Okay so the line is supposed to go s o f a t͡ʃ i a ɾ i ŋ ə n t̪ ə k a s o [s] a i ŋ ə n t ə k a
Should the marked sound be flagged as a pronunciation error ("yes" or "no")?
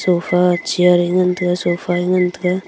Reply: yes